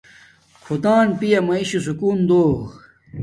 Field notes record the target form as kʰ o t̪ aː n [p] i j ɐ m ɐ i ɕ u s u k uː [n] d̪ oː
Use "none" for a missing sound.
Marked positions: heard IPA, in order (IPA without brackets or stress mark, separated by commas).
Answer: p, n